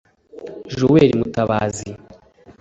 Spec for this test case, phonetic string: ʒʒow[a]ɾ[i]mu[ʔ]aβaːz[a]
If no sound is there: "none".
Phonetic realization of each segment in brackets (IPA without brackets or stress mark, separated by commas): e, i, t, i